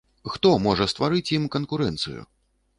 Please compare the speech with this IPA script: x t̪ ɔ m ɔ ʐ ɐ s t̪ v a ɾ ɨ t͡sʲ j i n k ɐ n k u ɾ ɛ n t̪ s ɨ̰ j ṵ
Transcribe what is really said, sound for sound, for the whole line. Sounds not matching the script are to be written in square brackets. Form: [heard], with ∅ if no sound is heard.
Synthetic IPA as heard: x t̪ ɔ m ɔ ʐ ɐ s t̪ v a ɾ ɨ t͡sʲ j i [m] k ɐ n k u ɾ ɛ n t̪ s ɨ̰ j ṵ